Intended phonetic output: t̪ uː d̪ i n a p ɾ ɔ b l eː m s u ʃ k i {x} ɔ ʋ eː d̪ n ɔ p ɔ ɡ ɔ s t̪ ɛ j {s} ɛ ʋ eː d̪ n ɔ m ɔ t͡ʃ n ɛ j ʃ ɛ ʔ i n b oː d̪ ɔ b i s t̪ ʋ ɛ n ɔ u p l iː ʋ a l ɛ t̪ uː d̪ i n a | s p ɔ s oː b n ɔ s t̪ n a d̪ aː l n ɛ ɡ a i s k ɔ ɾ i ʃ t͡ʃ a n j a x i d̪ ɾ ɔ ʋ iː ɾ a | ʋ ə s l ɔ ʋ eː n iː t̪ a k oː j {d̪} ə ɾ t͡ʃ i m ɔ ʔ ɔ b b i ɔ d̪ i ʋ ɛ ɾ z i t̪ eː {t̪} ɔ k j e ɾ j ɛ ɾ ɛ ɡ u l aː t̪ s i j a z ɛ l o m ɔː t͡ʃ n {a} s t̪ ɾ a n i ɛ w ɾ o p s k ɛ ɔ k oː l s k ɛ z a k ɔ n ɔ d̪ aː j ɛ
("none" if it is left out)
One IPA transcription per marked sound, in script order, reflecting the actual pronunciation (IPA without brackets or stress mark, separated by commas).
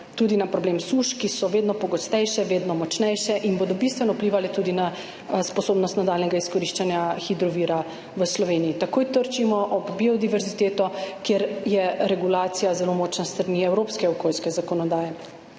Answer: s, ʃ, t̪, t̪, a